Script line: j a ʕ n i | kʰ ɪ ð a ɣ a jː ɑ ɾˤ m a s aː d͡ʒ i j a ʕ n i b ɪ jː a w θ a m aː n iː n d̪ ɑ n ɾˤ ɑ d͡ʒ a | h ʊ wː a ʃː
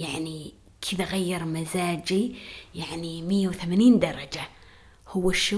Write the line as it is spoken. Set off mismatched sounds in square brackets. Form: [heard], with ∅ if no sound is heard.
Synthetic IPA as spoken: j a ʕ n i | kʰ ɪ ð a ɣ a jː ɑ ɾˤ m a [z] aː d͡ʒ i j a ʕ n i [m] ɪ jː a w θ a m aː n iː n d̪ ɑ [∅] ɾˤ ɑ d͡ʒ a | h ʊ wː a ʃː